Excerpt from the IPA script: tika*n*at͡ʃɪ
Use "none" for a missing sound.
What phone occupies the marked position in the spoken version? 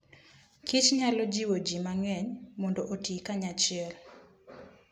ɲ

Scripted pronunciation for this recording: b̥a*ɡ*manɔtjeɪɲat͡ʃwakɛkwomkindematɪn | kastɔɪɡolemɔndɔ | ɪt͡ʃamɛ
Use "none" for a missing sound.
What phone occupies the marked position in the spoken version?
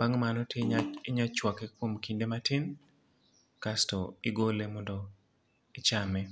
ŋ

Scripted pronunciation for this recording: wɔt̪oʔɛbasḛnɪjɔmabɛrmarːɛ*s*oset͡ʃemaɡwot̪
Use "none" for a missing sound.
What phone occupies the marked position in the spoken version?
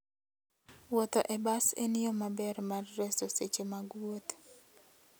s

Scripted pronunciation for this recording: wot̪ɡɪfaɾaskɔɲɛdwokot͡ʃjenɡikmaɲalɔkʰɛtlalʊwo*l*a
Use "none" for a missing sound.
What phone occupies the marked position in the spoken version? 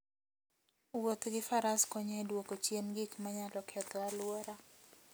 ɾ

